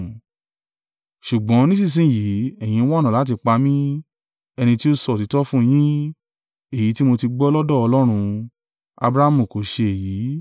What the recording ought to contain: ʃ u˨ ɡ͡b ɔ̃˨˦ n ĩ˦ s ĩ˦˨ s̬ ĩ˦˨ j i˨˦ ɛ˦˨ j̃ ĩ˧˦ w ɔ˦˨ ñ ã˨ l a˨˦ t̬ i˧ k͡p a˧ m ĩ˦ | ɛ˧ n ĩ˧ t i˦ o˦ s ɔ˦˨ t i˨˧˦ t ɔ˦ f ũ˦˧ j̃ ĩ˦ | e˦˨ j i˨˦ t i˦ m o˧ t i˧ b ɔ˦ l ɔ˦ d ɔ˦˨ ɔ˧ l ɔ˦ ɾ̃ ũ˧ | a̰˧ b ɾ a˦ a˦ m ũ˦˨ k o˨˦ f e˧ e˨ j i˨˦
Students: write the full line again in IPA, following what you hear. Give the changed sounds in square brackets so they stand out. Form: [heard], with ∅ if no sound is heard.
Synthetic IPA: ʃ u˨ ɡ͡b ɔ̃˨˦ n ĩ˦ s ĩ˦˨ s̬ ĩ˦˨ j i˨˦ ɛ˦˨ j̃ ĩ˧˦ w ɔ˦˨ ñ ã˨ l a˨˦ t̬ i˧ k͡p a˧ m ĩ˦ | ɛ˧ n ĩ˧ t i˦ o˦ s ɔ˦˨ t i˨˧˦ t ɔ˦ f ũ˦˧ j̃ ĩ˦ | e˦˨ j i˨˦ t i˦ m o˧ t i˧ [ɡ͡b] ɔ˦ l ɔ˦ d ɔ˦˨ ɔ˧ l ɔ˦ ɾ̃ ũ˧ | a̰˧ b ɾ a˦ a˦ m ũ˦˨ k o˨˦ [ʃ] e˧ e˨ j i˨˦